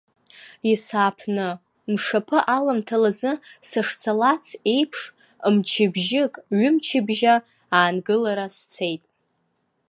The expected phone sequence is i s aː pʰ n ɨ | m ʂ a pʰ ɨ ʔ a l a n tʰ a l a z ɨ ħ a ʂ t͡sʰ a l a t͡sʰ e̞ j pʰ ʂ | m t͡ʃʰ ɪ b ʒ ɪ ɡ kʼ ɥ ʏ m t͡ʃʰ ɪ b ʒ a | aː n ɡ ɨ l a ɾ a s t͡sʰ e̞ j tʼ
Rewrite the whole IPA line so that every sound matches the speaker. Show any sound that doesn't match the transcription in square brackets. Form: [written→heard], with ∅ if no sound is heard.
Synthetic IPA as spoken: i s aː pʰ n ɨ | m ʂ a pʰ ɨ ʔ a l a [n→m] tʰ a l a z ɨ [ħ→s] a ʂ t͡sʰ a l a t͡sʰ e̞ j pʰ ʂ | m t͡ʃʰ ɪ b ʒ ɪ [ɡ→∅] kʼ ɥ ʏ m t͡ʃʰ ɪ b ʒ a | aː n ɡ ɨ l a ɾ a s t͡sʰ e̞ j tʼ